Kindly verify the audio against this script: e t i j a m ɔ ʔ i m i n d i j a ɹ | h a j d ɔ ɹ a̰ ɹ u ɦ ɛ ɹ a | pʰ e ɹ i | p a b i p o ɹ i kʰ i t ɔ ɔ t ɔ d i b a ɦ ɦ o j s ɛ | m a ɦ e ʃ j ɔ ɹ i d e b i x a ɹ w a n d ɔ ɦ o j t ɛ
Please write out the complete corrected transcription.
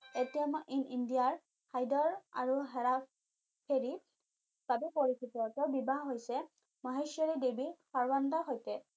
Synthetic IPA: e t i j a m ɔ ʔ i n i n d i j a ɹ | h a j d ɔ ɹ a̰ ɹ u ɦ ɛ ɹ a | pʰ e ɹ i | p a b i p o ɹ i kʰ i t ɔ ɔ t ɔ b i b a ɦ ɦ o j s ɛ | m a ɦ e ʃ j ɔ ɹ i d e b i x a ɹ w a n d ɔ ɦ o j t ɛ